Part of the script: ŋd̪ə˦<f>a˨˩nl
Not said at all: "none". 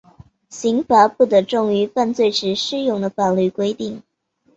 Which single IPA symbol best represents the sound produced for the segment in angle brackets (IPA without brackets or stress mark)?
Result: f